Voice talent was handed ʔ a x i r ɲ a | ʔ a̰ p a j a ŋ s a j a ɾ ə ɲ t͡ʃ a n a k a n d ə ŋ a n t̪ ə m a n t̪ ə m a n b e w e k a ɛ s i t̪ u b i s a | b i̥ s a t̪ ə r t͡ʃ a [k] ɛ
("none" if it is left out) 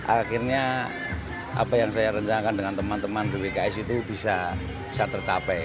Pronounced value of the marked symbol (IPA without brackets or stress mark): p